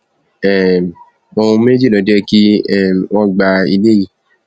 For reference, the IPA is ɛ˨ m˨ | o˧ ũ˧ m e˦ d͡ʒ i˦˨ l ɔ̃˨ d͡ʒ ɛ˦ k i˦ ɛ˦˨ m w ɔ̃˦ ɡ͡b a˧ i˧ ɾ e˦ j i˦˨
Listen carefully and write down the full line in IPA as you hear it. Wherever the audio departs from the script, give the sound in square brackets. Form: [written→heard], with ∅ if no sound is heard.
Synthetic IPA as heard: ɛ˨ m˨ | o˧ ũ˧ m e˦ d͡ʒ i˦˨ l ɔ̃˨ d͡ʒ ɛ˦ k i˦ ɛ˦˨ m w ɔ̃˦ ɡ͡b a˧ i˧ [ɾ→l] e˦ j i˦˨